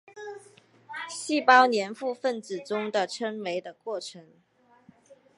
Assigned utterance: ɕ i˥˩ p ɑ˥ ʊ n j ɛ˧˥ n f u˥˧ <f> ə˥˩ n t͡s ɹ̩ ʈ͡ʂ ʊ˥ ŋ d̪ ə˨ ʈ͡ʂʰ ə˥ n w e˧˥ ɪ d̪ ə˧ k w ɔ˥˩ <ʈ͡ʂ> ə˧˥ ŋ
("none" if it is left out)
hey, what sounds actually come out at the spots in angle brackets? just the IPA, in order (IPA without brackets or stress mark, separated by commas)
f, ʈ͡ʂʰ